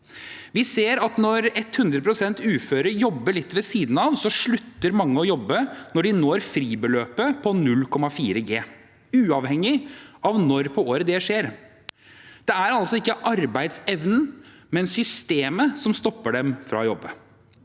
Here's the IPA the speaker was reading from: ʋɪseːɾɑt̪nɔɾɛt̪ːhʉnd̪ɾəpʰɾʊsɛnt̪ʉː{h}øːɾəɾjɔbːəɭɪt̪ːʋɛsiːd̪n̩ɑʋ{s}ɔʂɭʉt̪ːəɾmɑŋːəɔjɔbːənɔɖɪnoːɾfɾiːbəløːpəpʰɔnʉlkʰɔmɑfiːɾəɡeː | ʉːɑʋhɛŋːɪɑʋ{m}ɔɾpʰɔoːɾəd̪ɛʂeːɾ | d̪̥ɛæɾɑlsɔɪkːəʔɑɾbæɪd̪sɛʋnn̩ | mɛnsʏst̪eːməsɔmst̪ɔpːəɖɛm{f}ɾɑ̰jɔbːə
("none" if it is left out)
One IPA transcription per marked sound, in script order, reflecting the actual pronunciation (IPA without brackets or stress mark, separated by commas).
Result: f, s, n, f